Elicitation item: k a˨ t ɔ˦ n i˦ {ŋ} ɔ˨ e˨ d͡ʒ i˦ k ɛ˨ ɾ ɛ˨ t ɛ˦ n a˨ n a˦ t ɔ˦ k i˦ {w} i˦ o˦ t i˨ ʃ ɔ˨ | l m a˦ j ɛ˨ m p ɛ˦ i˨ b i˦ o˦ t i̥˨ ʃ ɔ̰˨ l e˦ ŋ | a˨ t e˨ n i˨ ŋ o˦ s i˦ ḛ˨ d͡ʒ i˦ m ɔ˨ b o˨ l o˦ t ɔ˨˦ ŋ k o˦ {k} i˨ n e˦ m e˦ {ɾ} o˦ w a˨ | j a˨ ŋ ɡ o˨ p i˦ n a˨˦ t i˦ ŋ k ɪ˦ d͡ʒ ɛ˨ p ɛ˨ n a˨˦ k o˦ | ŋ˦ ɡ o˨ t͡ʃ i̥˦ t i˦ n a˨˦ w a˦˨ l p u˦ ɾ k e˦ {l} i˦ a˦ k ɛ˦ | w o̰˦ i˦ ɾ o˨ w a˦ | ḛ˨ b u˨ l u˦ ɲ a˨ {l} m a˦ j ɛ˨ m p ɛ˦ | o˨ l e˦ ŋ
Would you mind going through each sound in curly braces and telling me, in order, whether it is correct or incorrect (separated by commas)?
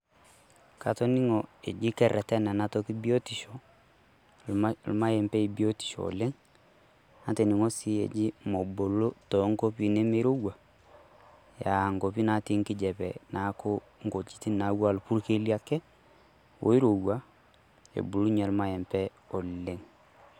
correct, incorrect, incorrect, correct, correct, correct